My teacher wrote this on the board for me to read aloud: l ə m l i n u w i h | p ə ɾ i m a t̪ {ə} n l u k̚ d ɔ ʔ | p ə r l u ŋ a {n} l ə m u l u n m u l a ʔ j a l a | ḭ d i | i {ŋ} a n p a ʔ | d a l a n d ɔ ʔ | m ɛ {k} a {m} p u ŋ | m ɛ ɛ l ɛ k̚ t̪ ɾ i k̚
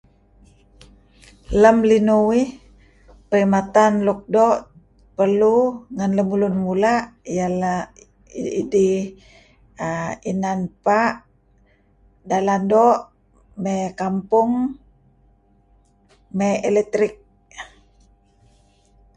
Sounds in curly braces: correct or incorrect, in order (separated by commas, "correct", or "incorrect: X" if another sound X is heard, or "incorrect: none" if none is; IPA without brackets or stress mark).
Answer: incorrect: a, correct, incorrect: n, correct, correct